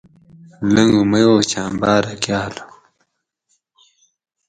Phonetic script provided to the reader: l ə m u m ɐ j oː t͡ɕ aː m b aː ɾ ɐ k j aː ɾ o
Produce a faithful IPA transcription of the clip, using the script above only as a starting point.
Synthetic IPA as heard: l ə ŋ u m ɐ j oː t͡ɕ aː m b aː ɾ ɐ k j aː l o